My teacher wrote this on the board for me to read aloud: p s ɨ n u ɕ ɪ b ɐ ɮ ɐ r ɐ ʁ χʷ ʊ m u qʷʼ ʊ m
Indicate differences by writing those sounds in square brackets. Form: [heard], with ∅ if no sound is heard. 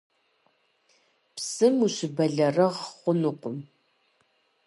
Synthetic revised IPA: p s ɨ [m] u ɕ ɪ b ɐ ɮ ɐ r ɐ ʁ χʷ ʊ [n] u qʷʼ ʊ m